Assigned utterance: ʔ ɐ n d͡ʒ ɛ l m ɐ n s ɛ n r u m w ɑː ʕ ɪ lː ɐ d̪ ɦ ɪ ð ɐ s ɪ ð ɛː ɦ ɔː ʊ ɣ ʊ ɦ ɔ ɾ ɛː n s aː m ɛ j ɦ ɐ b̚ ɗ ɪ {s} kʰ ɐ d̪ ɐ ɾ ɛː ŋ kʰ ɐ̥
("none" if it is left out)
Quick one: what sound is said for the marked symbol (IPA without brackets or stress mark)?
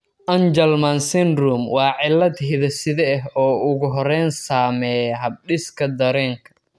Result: s